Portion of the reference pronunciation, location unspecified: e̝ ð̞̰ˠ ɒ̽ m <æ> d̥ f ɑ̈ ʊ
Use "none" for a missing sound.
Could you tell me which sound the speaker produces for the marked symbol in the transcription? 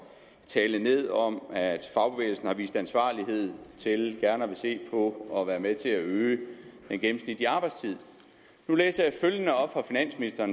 æ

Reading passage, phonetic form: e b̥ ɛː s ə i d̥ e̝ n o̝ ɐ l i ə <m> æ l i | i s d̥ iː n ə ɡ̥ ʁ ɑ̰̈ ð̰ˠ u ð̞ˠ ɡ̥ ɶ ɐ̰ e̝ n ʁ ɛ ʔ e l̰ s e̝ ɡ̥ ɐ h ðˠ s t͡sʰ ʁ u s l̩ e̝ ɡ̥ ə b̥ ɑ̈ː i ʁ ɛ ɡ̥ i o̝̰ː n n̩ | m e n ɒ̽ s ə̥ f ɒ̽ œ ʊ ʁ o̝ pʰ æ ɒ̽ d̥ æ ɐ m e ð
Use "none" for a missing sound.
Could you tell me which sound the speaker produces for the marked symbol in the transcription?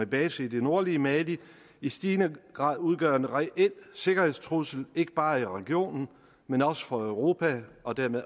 m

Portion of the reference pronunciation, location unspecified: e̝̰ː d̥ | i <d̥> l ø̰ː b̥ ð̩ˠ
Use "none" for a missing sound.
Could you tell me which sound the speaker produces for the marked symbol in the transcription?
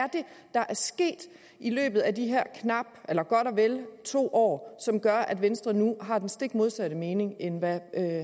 none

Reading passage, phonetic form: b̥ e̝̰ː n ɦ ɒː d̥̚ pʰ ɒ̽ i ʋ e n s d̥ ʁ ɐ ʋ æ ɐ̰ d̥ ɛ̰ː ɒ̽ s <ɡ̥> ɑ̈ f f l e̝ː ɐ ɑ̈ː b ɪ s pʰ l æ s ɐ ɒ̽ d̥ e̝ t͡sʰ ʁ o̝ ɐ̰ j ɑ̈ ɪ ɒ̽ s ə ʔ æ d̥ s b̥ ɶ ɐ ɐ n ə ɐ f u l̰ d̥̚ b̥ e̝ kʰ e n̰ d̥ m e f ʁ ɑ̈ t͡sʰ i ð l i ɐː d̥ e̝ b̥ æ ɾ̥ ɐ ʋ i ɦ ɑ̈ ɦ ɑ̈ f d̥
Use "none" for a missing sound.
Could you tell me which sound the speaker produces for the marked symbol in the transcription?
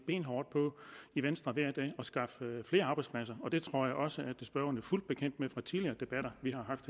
ɡ̥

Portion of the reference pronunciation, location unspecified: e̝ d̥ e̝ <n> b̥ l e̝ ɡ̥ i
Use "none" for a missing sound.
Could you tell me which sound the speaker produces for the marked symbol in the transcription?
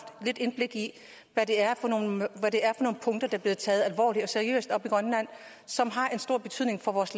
n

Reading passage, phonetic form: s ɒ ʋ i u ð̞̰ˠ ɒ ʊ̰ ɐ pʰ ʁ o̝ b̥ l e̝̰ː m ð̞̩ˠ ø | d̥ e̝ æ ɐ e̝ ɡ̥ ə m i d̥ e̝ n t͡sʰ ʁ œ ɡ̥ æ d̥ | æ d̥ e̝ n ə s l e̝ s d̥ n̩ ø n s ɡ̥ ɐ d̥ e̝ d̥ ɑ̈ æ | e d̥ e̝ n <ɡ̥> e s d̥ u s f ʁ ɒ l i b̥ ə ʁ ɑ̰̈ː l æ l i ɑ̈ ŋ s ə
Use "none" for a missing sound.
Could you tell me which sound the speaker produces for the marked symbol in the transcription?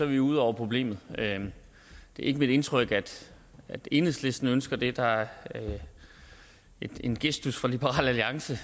ɡ̥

